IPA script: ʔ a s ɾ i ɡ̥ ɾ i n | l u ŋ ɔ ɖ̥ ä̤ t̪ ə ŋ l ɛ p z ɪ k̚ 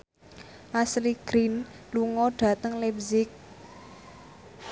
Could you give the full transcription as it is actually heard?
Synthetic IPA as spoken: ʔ a s l i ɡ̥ ɾ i n | l u ŋ ɔ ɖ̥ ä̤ t̪ ə ŋ l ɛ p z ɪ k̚